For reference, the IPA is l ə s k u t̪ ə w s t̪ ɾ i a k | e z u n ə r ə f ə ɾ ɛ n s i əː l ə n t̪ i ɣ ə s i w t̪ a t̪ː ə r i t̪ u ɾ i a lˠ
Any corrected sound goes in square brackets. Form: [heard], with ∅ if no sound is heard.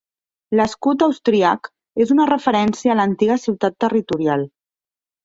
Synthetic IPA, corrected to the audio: l ə s k u t̪ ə w s t̪ ɾ i a k | e z u n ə r ə f ə ɾ ɛ n s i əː l ə n t̪ i ɣ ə s i w t̪ a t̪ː ə r i t̪ u ɾ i a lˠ